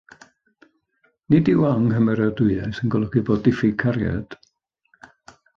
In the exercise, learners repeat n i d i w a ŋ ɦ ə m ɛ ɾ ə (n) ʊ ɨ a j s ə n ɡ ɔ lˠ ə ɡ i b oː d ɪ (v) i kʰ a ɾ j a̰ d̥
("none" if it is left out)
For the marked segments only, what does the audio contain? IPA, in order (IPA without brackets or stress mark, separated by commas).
d, f